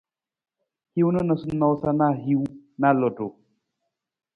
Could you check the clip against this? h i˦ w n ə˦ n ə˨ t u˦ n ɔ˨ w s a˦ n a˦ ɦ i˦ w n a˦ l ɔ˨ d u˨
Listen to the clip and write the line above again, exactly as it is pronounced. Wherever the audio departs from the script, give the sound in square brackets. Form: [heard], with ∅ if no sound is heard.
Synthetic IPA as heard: h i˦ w n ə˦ n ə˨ [s] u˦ n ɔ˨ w s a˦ n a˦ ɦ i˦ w n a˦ l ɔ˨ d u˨